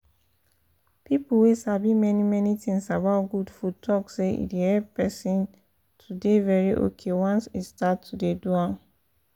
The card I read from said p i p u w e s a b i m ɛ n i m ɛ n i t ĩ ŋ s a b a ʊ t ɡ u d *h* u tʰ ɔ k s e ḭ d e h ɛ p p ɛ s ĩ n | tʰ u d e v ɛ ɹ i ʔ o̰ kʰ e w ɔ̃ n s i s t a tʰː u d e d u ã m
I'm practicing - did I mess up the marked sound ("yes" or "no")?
yes